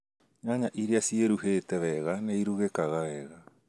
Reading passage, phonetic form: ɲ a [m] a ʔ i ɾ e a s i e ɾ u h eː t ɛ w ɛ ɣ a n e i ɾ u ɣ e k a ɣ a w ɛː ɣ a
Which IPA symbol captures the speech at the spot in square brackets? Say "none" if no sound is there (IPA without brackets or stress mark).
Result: ɲ